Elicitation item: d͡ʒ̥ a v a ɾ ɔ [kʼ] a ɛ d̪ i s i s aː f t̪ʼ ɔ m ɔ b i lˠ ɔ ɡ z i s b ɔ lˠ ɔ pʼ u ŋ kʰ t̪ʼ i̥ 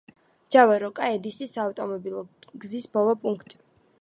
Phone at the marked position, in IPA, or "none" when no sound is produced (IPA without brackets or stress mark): kʼ